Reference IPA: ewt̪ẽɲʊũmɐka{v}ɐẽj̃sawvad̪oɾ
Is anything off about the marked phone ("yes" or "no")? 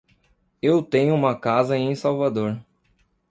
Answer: yes